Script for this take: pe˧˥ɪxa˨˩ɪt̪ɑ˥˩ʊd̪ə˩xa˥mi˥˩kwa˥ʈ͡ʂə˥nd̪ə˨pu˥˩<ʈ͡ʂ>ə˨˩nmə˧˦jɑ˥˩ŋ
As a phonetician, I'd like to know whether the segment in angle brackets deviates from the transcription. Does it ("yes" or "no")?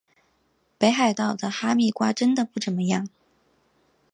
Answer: no